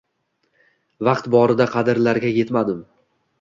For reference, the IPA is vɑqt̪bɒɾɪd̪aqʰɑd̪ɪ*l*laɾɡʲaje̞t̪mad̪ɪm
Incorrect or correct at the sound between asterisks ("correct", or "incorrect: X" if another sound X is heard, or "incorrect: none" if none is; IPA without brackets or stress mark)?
incorrect: ɾ